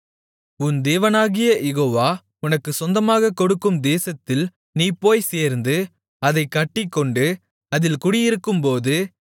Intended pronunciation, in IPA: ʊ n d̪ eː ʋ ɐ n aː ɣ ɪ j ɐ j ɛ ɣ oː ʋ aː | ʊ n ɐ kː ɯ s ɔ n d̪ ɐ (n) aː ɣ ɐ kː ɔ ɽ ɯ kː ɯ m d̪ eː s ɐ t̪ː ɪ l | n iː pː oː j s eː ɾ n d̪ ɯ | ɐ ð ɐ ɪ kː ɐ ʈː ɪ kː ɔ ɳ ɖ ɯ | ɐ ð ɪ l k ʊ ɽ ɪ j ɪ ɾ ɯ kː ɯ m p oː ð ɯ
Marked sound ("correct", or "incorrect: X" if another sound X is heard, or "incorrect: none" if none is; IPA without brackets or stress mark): incorrect: m